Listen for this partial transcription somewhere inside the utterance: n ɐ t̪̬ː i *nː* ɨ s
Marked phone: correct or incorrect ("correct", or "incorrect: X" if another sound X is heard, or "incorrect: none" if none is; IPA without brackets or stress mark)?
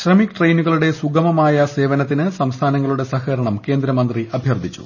incorrect: n